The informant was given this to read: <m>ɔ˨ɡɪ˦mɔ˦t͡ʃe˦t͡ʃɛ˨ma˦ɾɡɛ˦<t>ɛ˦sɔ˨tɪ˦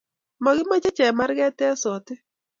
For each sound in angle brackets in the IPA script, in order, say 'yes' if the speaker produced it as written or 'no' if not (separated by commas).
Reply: yes, yes